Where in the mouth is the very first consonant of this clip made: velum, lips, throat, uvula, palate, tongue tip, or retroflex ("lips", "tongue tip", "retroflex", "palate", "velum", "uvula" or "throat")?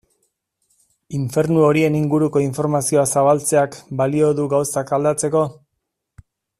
lips